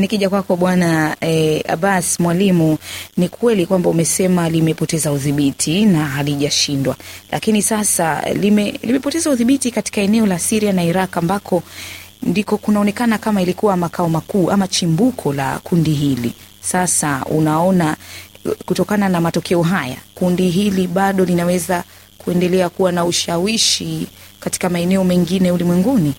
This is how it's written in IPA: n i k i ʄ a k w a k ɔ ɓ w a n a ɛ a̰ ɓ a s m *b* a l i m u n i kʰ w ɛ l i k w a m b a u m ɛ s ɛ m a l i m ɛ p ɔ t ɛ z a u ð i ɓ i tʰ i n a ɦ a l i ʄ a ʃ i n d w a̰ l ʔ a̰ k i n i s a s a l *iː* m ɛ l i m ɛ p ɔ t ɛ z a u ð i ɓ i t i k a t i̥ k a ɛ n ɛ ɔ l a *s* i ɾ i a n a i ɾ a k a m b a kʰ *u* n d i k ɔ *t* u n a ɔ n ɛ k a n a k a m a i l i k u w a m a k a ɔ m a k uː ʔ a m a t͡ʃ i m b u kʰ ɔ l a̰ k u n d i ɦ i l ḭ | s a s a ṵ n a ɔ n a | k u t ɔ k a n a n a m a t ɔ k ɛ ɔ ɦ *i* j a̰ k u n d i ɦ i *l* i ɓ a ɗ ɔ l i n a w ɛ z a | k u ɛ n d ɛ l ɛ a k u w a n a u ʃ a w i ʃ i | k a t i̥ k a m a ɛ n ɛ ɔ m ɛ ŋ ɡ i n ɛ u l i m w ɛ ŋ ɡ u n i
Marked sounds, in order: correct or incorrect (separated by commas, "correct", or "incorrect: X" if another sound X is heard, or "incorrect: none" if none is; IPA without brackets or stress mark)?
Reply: incorrect: w, incorrect: i, correct, incorrect: ɔ, incorrect: k, incorrect: a, correct